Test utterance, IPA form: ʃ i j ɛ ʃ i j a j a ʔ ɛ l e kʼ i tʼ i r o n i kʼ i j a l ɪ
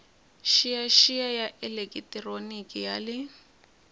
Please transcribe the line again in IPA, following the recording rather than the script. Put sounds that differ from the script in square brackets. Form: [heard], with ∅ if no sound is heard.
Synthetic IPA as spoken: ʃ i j [a] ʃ i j a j a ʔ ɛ l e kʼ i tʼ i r o n i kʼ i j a l ɪ